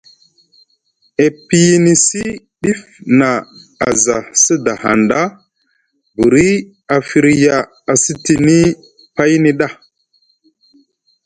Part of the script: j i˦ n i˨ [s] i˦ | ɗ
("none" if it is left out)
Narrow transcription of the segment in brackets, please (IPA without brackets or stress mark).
s